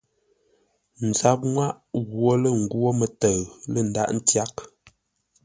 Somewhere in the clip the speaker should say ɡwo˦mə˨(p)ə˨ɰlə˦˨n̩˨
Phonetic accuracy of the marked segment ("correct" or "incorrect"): incorrect